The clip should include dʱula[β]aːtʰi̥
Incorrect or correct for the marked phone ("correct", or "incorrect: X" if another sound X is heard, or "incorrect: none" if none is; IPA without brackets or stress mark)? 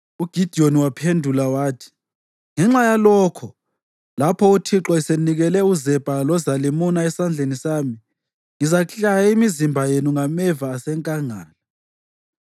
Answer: incorrect: w